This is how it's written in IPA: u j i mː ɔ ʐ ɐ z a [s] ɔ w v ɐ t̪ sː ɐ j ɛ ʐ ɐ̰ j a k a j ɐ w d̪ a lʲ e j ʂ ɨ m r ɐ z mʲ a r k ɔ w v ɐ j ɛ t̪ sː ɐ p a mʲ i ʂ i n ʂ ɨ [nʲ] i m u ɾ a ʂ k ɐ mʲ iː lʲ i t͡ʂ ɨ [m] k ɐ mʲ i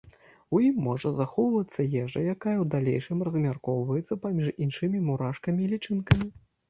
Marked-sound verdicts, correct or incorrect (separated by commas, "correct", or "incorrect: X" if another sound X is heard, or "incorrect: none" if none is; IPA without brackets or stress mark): incorrect: x, incorrect: mʲ, incorrect: n